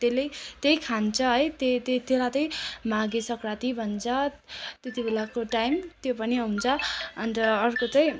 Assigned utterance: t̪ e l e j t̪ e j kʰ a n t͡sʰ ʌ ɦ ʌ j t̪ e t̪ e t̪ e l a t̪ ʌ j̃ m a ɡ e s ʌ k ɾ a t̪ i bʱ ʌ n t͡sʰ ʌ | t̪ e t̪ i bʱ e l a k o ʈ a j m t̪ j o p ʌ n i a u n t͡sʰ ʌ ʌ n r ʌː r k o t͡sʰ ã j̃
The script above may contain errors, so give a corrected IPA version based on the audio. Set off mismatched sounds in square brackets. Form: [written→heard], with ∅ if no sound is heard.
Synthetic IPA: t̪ e l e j t̪ e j kʰ a n t͡sʰ ʌ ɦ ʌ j t̪ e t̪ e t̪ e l a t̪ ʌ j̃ m a ɡ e s ʌ k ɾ a t̪ i bʱ ʌ n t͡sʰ ʌ | t̪ e t̪ i bʱ e l a k o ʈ a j m t̪ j o p ʌ n i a u n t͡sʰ ʌ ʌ n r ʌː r k o [t͡sʰ→t͡s] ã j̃